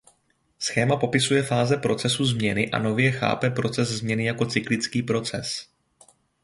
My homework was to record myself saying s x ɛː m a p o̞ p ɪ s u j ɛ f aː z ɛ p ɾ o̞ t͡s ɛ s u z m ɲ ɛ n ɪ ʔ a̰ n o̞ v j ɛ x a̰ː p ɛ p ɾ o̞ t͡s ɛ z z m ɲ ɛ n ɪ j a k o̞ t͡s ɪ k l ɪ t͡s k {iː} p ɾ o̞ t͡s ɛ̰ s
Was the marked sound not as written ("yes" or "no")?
no